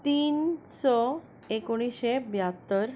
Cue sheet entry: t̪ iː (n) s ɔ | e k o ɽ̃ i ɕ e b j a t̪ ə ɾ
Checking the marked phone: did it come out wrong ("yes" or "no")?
no